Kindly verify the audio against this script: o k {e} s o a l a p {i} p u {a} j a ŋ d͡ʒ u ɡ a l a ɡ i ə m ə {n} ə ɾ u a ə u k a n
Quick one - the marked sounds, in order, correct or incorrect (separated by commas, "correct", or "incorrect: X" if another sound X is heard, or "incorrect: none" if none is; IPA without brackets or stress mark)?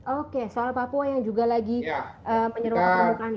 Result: correct, incorrect: a, correct, incorrect: ɲ